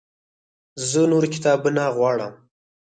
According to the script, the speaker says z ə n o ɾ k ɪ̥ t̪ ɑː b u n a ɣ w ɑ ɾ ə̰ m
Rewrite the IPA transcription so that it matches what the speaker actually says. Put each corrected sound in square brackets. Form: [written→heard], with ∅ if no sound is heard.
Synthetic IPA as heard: z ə n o ɾ k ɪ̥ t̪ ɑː b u n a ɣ w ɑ [ɾ→ɽ] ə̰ m